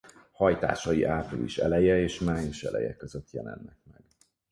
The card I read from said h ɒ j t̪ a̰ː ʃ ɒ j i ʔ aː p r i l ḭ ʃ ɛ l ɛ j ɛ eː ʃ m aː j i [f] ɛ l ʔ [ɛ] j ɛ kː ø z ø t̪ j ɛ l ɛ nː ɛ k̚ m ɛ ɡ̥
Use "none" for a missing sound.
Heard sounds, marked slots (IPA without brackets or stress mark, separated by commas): ʃ, ɛ